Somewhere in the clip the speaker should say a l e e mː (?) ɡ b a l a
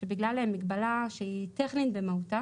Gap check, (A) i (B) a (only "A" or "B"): A